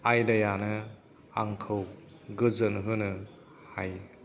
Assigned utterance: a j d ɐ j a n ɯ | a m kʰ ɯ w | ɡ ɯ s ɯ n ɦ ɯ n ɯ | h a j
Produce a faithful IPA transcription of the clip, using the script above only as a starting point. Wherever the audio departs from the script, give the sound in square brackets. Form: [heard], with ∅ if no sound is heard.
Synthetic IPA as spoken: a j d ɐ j a n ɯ | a [ŋ] kʰ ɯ w | ɡ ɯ [z] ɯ n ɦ ɯ n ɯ | h a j